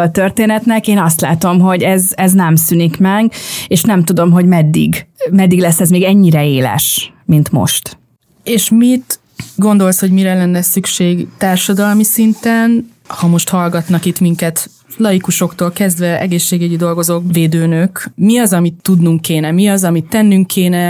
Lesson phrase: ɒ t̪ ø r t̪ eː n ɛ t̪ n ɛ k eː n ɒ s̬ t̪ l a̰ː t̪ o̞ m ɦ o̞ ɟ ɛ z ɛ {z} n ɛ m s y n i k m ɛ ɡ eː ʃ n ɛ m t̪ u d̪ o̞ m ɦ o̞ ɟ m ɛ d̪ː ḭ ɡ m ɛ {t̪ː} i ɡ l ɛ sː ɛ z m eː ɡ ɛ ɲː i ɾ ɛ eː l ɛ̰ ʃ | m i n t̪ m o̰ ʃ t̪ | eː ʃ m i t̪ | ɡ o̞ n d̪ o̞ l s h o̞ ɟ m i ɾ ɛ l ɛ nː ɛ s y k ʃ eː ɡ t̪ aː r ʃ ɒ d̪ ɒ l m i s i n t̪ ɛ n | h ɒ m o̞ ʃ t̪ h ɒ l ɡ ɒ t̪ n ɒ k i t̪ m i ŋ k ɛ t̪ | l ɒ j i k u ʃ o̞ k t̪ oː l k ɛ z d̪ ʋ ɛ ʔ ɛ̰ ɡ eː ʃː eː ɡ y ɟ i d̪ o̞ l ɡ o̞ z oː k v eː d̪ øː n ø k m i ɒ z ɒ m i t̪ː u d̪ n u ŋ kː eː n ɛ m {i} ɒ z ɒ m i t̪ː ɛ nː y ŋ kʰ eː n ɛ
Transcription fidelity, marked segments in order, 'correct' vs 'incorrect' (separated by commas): correct, incorrect, correct